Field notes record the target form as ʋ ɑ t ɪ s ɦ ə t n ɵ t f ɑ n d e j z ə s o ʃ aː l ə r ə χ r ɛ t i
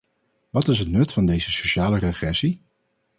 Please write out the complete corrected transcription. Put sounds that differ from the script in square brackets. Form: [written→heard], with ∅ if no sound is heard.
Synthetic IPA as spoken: ʋ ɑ t ɪ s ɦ ə t n ɵ t f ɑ n d e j z ə s o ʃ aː l ə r ə χ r ɛ [t→s] i